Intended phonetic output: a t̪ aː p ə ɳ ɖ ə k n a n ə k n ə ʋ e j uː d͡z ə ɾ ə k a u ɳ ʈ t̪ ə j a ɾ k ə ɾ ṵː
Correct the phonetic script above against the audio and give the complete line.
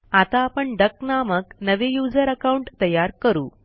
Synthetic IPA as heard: a t̪ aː p ə ɳ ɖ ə k n a m ə k n ə ʋ e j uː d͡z ə ɾ ə k a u ɳ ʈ t̪ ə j a ɾ k ə ɾ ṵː